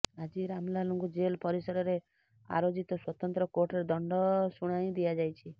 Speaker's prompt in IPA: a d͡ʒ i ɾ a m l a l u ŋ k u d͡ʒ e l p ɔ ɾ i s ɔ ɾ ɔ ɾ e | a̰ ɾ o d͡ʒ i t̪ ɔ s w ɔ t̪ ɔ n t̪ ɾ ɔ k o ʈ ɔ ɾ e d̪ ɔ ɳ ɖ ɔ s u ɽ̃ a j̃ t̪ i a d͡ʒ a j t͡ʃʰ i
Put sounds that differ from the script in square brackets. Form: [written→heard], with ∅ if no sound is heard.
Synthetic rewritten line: a d͡ʒ i ɾ a m l a l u ŋ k u d͡ʒ e l p ɔ ɾ i s ɔ ɾ ɔ ɾ e | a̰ ɾ o d͡ʒ i t̪ ɔ s w ɔ t̪ ɔ n t̪ ɾ ɔ k o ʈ ɔ ɾ e d̪ ɔ ɳ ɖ ɔ s u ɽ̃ a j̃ [t̪→d̪] i a d͡ʒ a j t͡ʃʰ i